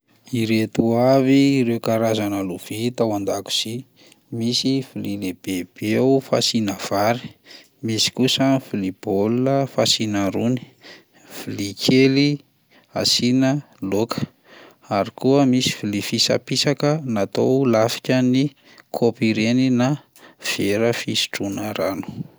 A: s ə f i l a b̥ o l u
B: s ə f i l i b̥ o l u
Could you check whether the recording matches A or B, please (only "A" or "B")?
B